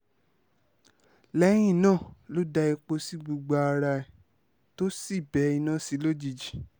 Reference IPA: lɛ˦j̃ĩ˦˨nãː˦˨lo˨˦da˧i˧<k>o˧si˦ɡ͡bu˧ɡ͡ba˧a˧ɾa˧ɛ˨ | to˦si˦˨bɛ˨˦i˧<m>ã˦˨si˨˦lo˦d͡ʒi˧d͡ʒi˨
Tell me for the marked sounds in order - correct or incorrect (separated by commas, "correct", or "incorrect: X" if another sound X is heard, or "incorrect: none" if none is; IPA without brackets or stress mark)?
incorrect: k͡p, incorrect: n